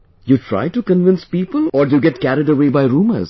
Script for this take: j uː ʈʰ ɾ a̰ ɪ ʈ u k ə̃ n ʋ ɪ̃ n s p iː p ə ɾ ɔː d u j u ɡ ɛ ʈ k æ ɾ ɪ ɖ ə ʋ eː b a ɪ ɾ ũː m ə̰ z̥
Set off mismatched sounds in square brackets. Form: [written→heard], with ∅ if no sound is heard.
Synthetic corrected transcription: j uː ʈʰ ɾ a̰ ɪ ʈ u k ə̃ n ʋ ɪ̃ n s p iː p ə [ɾ→l] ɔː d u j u ɡ ɛ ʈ k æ ɾ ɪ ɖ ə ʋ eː b a ɪ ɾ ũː m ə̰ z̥

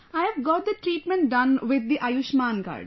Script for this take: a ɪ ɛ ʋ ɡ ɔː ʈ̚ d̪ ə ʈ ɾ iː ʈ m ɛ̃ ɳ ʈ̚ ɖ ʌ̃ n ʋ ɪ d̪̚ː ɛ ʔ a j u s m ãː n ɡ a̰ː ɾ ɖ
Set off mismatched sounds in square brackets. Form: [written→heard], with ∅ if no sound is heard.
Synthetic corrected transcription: a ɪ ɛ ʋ ɡ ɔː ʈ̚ d̪ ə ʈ ɾ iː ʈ m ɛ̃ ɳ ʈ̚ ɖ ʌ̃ n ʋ ɪ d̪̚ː [ɛ→i] ʔ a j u [s→ʃ] m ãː n ɡ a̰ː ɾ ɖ

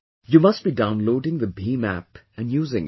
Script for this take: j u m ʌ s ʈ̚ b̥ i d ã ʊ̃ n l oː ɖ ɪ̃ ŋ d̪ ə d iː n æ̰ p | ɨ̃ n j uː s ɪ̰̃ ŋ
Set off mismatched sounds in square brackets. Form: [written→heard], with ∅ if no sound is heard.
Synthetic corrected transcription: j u m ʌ s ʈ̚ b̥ i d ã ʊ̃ n l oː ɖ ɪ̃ ŋ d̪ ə [d→b] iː [n→m] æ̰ p | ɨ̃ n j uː [s→z] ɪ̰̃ ŋ

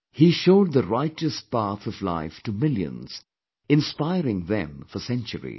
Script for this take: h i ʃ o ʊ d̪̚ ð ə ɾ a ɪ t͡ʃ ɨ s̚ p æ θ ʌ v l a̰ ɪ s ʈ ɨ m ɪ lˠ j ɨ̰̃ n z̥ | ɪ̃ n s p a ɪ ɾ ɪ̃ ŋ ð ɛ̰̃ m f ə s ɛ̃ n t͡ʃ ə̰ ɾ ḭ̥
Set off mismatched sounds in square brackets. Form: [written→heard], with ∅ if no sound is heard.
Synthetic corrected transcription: h i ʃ o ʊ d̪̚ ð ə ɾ a ɪ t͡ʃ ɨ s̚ p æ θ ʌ v l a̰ ɪ [s→f] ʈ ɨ m ɪ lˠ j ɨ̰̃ n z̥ | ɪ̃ n s p a ɪ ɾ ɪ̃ ŋ ð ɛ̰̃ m f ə s ɛ̃ n t͡ʃ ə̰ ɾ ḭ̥

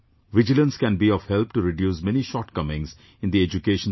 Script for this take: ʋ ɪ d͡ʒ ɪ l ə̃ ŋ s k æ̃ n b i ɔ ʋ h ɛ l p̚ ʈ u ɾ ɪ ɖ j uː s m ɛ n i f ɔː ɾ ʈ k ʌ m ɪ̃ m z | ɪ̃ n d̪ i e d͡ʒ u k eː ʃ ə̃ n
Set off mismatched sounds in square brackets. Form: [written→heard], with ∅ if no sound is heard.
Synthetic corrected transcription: ʋ ɪ d͡ʒ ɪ l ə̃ [ŋ→n] s k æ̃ n b i ɔ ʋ h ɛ l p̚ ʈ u ɾ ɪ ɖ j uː s m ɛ n i [f→ʃ] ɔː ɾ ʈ k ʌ m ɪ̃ [m→ŋ] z | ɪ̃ n d̪ i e d͡ʒ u k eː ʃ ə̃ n

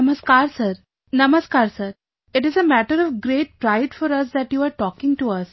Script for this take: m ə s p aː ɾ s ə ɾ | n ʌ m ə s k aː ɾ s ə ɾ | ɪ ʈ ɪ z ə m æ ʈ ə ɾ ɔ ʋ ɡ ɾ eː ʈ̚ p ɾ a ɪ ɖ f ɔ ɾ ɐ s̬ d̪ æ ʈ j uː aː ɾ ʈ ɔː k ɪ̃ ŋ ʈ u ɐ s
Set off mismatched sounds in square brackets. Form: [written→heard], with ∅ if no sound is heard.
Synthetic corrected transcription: m ə s [p→k] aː ɾ s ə ɾ | n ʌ m ə s k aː ɾ s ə ɾ | ɪ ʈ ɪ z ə m æ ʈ ə ɾ ɔ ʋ ɡ ɾ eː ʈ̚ p ɾ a ɪ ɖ f ɔ ɾ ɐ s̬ d̪ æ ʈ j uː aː ɾ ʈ ɔː k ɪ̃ ŋ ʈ u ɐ s

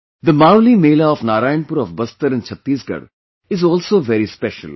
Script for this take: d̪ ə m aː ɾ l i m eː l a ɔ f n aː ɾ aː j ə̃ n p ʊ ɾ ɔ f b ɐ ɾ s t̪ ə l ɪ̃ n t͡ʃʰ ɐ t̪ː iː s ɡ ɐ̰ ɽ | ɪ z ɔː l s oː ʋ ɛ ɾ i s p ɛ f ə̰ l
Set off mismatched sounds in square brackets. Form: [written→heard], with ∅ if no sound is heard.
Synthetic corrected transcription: d̪ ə m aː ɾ l i m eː l a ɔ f n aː ɾ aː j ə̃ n p ʊ ɾ ɔ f b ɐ [ɾ→∅] s t̪ ə [l→ɾ] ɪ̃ n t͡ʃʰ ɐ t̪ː iː s ɡ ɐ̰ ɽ | ɪ z ɔː l s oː ʋ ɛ ɾ i s p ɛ [f→ʃ] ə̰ l

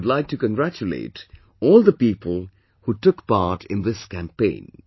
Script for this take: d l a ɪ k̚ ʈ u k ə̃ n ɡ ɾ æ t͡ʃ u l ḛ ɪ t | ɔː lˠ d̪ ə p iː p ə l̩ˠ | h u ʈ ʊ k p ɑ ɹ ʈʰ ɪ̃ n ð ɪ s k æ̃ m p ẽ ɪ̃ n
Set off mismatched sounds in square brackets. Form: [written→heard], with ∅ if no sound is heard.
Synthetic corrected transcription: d l a ɪ k̚ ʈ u k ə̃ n ɡ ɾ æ t͡ʃ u l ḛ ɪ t | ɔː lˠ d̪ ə p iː p ə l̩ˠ | h u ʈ ʊ k p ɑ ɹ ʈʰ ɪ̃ n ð ɪ s k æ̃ m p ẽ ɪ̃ n

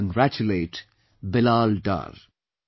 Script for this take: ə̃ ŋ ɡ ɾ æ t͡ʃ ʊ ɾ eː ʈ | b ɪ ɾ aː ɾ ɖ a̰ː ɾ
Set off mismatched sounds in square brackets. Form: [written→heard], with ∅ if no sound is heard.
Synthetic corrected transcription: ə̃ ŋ ɡ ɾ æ t͡ʃ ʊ [ɾ→l] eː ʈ | b ɪ [ɾ→l] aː [ɾ→l] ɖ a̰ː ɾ

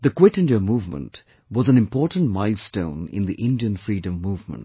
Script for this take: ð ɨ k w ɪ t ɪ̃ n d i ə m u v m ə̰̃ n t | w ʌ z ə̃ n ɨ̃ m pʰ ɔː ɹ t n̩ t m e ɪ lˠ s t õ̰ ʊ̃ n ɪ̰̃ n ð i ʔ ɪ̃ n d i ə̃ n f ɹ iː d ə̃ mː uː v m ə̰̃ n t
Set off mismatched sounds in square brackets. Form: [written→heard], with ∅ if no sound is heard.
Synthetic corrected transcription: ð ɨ k w ɪ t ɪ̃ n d i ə m u v m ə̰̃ n t | w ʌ z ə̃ n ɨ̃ m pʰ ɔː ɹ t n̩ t m [e→a] ɪ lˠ s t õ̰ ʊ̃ n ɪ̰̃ n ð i ʔ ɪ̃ n d i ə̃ n f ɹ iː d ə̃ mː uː v m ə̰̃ n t

